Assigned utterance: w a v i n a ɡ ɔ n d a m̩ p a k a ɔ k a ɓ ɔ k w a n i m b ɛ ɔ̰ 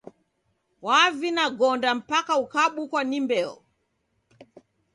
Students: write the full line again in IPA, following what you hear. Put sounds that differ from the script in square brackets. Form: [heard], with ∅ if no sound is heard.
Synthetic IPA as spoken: w a v i n a ɡ ɔ n d a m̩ p a k a [u] k a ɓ [u] k w a n i m b ɛ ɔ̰